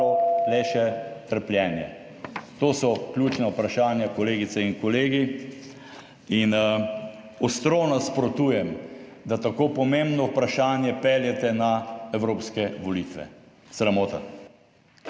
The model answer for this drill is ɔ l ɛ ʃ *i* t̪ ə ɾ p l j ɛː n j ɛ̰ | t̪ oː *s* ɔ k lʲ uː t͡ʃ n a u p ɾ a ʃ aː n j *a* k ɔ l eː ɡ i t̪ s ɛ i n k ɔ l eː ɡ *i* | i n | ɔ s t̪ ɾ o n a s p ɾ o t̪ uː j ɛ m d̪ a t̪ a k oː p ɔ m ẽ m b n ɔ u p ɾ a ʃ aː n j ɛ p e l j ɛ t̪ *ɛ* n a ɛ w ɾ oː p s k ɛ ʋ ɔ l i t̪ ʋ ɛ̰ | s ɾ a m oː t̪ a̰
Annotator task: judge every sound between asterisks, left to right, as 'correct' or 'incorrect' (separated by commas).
incorrect, correct, correct, correct, correct